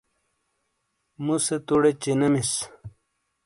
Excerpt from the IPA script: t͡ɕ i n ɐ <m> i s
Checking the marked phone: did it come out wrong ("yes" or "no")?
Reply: no